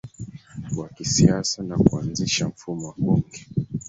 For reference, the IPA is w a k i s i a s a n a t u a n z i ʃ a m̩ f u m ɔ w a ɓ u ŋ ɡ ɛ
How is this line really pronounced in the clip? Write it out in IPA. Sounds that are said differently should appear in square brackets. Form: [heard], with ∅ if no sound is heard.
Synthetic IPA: w a k i s i a s a n a [k] u a n z i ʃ a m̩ f u m ɔ w a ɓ u ŋ ɡ ɛ